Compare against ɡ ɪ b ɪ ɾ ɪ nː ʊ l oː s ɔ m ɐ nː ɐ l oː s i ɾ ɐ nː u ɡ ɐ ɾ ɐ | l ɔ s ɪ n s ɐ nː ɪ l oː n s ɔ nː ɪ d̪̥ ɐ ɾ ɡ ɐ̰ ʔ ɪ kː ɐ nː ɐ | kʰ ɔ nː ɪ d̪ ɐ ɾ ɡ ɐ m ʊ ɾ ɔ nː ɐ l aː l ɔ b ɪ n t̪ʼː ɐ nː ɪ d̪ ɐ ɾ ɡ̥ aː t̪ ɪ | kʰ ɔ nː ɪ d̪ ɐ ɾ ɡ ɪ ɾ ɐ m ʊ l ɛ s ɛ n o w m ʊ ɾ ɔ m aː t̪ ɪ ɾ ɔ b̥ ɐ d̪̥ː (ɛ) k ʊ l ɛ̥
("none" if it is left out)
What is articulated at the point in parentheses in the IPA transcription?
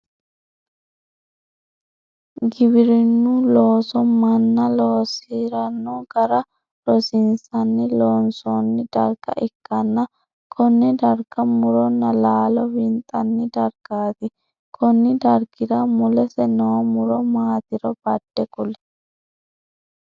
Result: ɛ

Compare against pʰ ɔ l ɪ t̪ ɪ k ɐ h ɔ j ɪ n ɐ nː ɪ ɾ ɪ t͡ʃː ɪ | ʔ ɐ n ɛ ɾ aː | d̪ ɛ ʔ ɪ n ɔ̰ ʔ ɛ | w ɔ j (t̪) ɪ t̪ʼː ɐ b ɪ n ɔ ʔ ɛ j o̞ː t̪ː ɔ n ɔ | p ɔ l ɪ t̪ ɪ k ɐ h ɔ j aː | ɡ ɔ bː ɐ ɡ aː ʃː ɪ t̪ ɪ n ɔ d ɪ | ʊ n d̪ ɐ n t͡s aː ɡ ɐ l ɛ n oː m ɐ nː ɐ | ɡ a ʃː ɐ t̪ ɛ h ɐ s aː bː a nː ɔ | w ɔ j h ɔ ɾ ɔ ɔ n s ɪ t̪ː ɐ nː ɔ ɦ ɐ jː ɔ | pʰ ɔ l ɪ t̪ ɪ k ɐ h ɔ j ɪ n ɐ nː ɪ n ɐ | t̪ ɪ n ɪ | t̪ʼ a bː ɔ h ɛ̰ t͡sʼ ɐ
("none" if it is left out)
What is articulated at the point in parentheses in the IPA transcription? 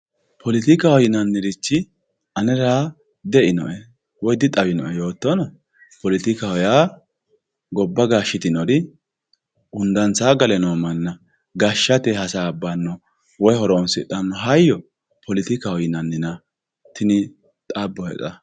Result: d̪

